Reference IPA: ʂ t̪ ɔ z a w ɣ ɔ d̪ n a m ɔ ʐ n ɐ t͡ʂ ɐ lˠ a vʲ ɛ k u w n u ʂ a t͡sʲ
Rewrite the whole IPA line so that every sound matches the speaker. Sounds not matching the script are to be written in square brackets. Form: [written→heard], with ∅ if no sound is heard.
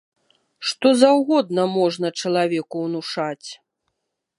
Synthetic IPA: ʂ t̪ ɔ z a w ɣ ɔ d̪ n [a→ɐ] m ɔ ʐ n ɐ t͡ʂ ɐ lˠ a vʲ ɛ k u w n u ʂ a t͡sʲ